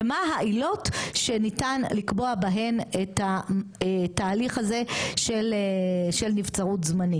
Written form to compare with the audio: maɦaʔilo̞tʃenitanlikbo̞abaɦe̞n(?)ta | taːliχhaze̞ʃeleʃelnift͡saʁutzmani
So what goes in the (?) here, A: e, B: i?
A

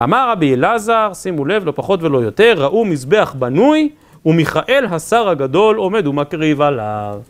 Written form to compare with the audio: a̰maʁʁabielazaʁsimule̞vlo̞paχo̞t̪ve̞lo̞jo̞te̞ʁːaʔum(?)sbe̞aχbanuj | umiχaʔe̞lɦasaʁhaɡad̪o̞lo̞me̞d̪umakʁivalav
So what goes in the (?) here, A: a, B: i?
B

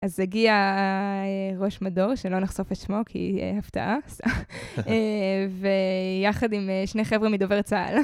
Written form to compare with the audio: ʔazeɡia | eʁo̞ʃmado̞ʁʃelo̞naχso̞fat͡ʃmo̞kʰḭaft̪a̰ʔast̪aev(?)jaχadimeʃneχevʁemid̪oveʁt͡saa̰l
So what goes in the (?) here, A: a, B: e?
B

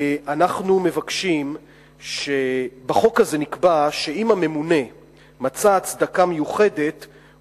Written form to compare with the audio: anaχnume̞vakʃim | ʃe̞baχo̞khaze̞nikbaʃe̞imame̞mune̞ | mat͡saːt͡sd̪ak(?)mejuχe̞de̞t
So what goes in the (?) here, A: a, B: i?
A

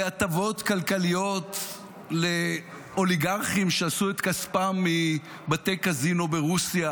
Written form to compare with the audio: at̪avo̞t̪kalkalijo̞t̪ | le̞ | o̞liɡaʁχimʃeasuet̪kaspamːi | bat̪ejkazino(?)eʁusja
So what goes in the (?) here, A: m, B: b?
B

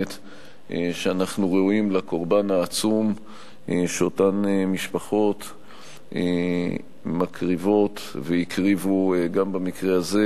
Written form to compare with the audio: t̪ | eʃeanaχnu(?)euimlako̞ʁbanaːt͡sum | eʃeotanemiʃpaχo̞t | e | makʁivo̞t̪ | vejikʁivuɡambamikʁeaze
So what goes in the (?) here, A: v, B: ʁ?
B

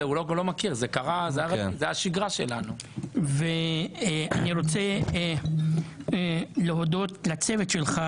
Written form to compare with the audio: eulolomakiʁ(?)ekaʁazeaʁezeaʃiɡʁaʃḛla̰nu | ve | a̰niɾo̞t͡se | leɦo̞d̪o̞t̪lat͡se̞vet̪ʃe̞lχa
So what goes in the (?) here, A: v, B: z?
B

